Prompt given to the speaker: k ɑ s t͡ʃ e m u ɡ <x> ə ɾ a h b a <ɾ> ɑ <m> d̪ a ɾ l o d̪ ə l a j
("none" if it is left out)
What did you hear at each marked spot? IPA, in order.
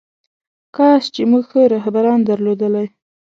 x, ɾ, n

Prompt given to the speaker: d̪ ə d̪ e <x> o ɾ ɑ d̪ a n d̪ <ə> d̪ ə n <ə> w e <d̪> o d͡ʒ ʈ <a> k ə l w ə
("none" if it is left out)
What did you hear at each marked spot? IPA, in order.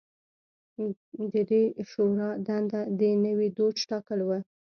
ʃ, a, ə, d̪, ɑ

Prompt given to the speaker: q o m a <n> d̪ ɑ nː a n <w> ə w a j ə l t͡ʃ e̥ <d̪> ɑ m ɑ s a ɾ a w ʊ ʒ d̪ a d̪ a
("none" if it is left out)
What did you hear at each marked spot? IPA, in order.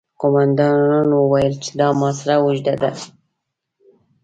n, w, d̪

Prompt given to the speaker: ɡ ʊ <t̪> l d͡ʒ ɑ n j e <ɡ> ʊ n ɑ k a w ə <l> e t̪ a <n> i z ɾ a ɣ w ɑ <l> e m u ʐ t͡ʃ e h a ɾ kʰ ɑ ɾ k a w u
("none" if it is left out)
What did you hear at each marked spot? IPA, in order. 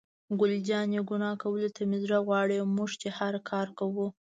none, ɡ, l, m, ɽ

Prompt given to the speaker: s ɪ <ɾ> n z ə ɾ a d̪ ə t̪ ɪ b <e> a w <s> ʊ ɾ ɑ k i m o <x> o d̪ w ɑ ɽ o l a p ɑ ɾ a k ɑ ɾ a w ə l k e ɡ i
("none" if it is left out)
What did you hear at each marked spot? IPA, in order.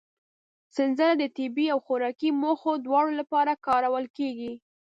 none, i, x, x

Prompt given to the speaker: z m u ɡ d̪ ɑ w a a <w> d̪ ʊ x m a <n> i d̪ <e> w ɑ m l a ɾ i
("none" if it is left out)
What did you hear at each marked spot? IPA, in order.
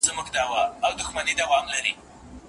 w, n, a

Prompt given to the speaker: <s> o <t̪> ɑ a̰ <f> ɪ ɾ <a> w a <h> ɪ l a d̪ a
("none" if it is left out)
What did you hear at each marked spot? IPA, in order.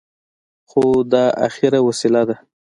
x, d̪, x, a, s

